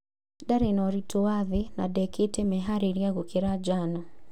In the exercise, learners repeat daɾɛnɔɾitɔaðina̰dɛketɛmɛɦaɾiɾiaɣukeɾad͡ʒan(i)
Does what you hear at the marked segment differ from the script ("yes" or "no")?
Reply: yes